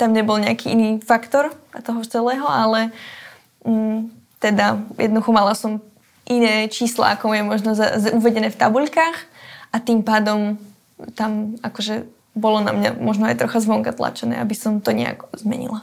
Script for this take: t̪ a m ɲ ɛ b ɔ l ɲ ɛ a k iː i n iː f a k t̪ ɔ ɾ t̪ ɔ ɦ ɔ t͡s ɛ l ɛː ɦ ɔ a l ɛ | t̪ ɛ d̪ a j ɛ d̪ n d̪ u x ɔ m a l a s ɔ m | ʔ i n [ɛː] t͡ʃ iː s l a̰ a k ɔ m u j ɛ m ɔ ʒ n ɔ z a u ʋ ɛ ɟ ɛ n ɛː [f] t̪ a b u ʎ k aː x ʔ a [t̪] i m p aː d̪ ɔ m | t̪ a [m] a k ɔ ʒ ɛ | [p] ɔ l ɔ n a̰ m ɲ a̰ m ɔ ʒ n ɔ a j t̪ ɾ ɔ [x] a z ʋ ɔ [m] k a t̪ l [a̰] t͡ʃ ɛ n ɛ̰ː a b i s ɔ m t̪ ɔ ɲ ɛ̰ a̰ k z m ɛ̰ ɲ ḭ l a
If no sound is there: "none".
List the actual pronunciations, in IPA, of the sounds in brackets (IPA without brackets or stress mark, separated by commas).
ɛː, f, t̪, m, b, x, ŋ, a̰